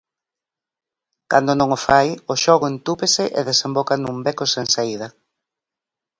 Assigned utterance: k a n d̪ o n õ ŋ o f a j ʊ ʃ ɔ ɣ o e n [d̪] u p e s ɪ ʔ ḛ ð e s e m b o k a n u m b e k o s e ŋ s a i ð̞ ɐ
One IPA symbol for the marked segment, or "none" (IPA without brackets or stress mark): t̪